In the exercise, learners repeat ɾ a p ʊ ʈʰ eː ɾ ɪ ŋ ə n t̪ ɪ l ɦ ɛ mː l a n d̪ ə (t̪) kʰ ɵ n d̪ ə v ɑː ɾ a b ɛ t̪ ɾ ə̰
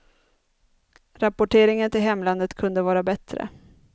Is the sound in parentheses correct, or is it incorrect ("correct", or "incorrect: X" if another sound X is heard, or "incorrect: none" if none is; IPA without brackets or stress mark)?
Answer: correct